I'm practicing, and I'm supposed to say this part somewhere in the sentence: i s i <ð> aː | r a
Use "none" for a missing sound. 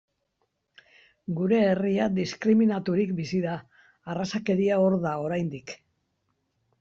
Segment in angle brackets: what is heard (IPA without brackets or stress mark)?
ð